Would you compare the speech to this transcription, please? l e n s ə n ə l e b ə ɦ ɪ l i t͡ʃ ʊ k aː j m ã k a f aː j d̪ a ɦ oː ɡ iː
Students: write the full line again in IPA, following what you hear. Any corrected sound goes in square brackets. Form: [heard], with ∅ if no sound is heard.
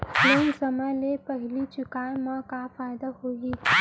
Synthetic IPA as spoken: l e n s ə [m] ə l e [p] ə ɦ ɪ l i t͡ʃ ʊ k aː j m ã k a f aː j d̪ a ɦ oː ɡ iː